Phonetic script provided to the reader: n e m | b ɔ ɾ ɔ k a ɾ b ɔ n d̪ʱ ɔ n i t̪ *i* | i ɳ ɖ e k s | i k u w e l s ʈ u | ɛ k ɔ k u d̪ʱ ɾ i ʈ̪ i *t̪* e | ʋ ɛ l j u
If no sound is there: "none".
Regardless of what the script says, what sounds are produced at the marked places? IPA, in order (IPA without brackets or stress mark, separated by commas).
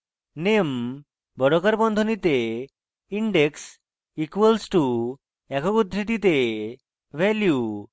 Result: e, t̪